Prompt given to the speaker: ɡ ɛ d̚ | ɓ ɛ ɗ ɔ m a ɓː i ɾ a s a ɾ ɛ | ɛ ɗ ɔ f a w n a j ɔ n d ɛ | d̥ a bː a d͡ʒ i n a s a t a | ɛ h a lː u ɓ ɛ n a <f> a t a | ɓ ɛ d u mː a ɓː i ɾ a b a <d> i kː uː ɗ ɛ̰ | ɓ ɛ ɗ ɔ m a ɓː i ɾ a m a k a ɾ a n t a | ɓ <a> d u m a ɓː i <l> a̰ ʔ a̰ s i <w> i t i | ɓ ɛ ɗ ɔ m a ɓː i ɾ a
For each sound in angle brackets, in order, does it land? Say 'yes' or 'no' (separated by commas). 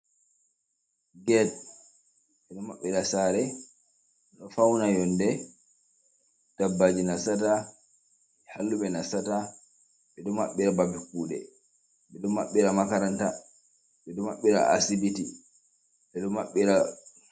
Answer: no, no, no, no, no